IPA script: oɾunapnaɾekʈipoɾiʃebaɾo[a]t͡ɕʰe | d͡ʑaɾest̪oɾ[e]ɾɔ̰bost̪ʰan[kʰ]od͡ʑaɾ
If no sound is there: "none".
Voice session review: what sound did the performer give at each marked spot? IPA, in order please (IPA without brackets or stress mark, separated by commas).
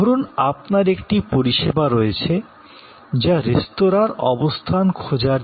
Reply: e, a, kʰ